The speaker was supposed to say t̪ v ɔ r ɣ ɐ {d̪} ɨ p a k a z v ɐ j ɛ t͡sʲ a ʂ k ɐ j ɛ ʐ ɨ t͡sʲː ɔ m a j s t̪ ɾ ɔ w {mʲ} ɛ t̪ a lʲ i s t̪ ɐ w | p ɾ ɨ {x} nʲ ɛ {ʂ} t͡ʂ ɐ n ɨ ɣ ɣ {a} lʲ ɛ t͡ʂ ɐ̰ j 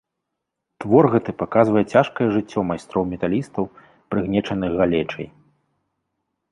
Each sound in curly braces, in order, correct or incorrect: incorrect, correct, incorrect, incorrect, correct

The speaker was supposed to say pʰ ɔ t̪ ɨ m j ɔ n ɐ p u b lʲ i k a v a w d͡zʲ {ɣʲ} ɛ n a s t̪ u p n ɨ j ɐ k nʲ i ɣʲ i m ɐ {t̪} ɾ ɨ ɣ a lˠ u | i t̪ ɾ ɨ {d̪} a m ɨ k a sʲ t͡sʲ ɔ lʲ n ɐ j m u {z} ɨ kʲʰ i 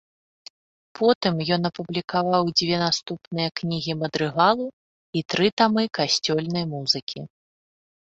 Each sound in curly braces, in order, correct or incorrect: incorrect, incorrect, incorrect, correct

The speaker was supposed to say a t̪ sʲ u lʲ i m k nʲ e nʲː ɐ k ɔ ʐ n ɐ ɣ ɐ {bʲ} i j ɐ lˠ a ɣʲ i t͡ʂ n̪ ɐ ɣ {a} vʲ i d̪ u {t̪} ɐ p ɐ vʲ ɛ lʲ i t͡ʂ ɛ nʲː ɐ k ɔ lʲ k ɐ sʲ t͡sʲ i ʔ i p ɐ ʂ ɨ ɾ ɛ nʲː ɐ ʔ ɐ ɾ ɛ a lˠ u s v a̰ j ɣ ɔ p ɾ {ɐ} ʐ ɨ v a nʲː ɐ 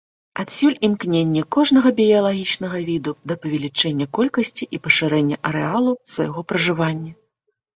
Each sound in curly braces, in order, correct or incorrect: correct, incorrect, incorrect, correct

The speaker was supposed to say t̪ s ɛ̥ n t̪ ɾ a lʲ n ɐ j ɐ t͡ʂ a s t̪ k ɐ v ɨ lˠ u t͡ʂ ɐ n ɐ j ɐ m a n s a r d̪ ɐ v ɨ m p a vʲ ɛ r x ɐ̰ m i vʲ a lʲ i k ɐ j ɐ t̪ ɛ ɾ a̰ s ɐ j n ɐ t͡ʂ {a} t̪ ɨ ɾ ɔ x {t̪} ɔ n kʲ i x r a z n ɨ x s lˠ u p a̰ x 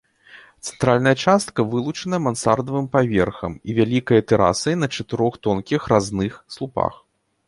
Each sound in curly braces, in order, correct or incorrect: incorrect, correct

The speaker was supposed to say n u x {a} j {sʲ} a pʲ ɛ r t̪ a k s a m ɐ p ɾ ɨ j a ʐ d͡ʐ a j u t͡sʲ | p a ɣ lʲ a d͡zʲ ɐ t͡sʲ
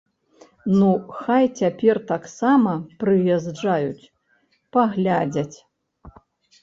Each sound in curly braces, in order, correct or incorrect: correct, incorrect

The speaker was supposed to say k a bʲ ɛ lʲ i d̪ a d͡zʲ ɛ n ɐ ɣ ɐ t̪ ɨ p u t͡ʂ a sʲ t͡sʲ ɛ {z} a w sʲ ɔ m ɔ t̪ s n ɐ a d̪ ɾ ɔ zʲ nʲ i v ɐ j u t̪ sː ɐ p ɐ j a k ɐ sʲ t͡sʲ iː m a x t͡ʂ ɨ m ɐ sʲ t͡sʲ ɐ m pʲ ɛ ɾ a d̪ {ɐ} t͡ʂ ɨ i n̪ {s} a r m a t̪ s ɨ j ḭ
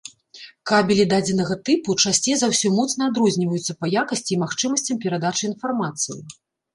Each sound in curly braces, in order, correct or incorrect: correct, incorrect, incorrect

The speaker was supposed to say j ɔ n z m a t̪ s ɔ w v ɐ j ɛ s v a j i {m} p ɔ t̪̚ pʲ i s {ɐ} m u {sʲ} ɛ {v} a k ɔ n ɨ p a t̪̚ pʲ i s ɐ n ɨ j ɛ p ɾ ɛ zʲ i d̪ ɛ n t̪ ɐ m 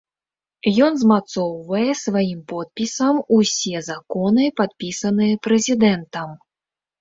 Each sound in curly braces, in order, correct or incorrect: correct, correct, correct, incorrect

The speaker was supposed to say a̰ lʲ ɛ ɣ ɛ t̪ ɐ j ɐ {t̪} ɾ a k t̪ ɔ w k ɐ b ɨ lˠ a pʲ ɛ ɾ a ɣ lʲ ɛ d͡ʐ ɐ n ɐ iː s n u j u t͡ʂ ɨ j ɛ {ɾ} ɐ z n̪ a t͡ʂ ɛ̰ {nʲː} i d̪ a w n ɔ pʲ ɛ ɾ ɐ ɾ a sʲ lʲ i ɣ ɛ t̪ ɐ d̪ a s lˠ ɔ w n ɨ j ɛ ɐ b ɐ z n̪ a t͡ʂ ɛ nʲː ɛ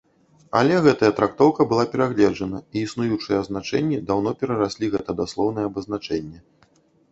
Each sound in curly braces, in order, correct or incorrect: correct, incorrect, correct

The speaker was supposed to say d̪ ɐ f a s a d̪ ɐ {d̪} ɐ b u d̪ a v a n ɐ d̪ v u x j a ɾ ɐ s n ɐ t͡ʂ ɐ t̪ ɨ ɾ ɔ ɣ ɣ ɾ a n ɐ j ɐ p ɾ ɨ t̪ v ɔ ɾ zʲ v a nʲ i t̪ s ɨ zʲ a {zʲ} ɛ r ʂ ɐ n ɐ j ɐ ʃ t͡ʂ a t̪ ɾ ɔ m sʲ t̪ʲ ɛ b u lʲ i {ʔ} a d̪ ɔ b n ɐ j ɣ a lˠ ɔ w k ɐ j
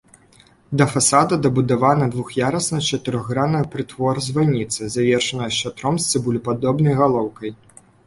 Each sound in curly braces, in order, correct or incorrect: correct, incorrect, incorrect

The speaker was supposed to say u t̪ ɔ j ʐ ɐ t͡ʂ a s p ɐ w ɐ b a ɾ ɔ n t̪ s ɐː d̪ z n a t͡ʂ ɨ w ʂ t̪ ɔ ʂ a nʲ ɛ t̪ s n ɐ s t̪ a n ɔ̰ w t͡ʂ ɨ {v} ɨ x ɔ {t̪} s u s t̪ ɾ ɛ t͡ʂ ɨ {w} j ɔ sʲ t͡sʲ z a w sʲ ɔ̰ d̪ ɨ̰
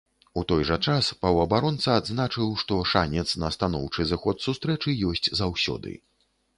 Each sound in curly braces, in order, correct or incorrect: incorrect, correct, incorrect

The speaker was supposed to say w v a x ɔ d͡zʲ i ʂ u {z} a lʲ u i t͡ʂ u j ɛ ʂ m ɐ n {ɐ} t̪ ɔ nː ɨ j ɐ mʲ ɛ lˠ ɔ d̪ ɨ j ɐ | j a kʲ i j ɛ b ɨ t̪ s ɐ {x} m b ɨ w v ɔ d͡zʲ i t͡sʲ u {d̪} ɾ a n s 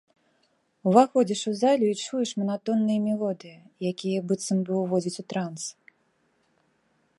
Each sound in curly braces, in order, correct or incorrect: correct, incorrect, incorrect, incorrect

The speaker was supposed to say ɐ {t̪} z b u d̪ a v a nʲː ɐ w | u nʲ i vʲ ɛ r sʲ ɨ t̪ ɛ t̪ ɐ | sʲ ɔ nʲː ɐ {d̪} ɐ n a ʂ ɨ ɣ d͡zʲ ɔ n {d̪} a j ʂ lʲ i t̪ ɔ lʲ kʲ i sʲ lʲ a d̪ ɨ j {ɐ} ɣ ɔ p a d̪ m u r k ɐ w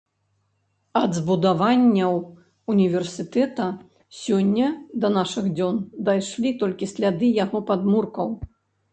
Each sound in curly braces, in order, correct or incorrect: incorrect, correct, correct, incorrect

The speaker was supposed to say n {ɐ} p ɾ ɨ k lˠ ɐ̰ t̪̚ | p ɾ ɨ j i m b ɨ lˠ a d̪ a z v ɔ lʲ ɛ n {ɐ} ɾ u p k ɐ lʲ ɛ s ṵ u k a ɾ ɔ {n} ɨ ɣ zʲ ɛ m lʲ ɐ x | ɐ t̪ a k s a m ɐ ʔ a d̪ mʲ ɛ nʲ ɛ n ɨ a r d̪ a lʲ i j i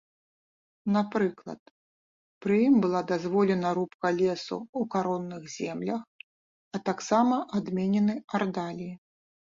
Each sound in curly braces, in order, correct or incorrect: incorrect, correct, incorrect

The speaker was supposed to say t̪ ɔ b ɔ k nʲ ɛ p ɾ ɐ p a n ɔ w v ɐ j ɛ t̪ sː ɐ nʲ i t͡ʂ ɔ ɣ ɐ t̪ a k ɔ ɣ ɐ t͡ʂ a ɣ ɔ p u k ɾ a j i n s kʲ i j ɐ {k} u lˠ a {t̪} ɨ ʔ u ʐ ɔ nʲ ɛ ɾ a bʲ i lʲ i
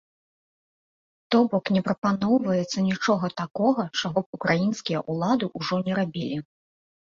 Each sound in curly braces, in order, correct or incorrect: incorrect, incorrect

